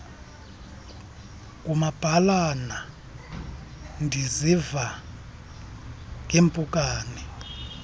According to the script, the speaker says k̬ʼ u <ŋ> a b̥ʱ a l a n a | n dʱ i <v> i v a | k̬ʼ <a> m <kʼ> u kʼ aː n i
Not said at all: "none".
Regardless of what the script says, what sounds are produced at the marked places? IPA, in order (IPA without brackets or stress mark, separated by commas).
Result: m, z, e, pʼ